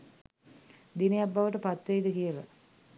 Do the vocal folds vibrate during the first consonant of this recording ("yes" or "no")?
yes